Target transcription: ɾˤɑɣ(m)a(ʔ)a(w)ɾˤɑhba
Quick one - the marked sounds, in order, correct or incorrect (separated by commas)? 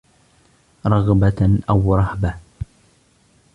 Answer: incorrect, correct, correct